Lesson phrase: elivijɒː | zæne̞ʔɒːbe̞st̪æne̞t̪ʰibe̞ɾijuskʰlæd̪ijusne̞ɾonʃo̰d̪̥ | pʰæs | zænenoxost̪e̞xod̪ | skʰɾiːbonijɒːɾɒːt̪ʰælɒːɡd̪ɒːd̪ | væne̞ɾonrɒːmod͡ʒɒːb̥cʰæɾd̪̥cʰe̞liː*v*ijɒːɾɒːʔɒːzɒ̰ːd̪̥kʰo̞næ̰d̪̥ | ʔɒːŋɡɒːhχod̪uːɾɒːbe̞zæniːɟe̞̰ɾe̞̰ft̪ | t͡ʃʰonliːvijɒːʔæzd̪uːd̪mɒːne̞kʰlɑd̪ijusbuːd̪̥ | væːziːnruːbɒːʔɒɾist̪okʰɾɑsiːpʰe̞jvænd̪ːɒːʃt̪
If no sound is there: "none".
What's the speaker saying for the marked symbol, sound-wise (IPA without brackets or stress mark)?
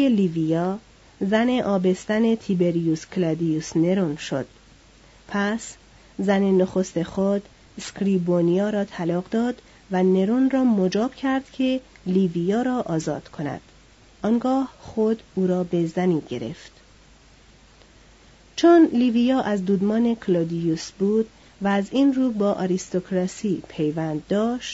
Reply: v